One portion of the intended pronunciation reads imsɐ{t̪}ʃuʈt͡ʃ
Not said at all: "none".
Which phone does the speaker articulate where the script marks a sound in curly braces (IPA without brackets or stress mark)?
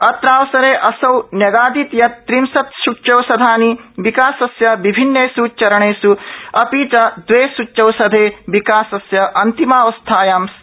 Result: t̪